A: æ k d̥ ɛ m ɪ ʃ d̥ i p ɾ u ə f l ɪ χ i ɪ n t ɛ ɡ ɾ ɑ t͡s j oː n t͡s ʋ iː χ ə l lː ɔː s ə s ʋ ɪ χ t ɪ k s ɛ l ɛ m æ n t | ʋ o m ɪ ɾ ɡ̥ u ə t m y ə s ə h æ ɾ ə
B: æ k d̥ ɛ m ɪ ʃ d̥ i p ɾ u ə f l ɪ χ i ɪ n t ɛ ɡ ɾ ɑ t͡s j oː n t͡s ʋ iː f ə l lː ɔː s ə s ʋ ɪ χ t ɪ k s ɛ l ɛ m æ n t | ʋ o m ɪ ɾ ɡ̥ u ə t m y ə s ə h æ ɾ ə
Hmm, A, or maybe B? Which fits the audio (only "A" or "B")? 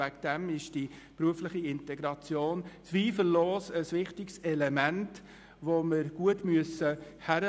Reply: B